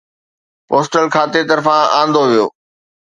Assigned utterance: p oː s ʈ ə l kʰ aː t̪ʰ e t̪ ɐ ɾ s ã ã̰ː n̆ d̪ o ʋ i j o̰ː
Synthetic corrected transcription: p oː s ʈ ə l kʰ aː t̪ e t̪ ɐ ɾ f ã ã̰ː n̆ d̪ o ʋ i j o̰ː